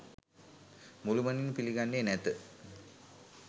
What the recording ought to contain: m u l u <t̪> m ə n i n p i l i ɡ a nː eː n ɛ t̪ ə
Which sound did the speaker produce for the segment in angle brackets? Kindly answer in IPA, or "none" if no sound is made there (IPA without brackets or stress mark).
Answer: none